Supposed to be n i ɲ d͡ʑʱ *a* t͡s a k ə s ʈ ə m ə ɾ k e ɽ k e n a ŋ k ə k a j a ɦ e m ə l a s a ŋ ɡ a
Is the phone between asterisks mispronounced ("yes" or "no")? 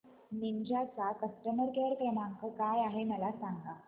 no